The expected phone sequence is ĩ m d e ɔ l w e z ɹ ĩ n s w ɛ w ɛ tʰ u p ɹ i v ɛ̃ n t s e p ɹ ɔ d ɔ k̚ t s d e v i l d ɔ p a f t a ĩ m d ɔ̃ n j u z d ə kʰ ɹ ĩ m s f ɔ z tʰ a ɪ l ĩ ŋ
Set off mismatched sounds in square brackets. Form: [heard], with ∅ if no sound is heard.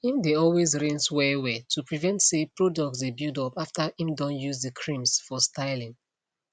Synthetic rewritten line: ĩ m d e ɔ l w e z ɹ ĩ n s w ɛ w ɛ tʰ u p ɹ i v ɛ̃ n t s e p ɹ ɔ d ɔ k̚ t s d e [b] i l d ɔ p a f t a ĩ m d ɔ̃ n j u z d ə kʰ ɹ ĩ m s f ɔ [s] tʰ a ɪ l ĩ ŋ